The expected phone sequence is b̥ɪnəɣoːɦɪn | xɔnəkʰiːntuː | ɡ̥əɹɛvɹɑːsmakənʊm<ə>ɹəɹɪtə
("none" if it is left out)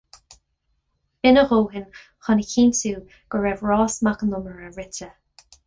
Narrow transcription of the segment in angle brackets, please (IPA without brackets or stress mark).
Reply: ə